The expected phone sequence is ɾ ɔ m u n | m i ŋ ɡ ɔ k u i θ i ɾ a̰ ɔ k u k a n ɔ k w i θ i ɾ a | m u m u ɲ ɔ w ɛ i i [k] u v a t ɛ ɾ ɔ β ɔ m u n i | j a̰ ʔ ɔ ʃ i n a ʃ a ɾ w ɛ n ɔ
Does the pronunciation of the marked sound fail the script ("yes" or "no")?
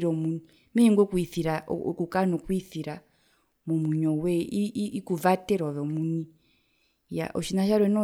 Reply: no